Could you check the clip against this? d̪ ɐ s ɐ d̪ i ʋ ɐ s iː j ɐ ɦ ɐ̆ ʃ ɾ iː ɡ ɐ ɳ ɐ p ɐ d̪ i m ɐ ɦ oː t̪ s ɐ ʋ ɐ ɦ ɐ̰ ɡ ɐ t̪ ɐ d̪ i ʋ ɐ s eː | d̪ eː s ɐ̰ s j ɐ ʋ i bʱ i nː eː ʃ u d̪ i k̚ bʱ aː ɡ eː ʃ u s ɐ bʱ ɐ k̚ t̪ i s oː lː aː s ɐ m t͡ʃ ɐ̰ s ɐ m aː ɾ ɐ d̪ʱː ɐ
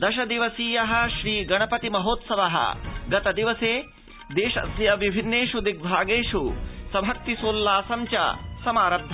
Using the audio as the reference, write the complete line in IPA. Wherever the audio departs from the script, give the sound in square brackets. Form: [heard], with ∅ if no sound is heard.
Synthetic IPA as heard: d̪ ɐ [ʃ] ɐ d̪ i ʋ ɐ s iː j ɐ ɦ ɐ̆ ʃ ɾ iː ɡ ɐ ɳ ɐ p ɐ [t̪] i m ɐ ɦ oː t̪ s ɐ ʋ ɐ ɦ ɐ̰ ɡ ɐ t̪ ɐ d̪ i ʋ ɐ s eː | d̪ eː [ʃ] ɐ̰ s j ɐ ʋ i bʱ i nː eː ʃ u d̪ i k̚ bʱ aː ɡ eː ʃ u s ɐ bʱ ɐ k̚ t̪ i s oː lː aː s ɐ m t͡ʃ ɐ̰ s ɐ m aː ɾ ɐ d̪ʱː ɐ